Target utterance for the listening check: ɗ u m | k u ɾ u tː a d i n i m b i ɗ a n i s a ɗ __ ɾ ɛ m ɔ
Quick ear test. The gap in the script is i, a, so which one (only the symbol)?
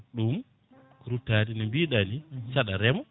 a